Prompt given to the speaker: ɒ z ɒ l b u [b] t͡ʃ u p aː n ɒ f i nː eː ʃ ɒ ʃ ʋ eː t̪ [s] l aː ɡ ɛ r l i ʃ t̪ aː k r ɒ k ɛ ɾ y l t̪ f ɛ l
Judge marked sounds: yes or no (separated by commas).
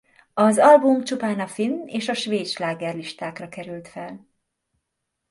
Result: no, no